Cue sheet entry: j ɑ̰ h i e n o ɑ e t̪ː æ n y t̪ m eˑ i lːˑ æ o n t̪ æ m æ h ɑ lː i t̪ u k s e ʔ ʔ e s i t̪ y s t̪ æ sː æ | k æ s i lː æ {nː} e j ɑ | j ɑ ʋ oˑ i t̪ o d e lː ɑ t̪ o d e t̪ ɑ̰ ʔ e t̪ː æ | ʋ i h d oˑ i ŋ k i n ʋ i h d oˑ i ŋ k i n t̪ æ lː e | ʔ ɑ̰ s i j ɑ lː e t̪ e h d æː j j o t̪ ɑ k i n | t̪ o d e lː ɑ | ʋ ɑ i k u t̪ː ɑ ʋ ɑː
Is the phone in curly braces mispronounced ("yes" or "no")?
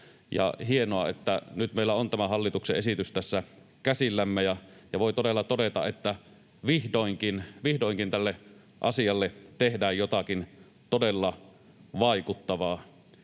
yes